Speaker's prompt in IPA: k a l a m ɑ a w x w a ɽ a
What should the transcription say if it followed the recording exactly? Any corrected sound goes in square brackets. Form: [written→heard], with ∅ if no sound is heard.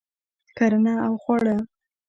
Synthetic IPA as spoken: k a [l→ɾ] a [m→n] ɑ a w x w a ɽ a